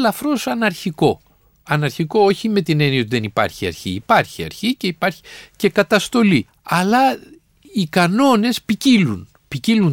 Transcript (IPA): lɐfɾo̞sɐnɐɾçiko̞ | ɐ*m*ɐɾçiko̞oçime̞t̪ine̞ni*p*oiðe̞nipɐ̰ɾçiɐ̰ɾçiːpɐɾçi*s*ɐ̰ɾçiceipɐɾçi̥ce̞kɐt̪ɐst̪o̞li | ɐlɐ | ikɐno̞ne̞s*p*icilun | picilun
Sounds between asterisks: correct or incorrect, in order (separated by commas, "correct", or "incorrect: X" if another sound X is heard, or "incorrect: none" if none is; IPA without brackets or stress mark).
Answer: incorrect: n, incorrect: none, incorrect: none, correct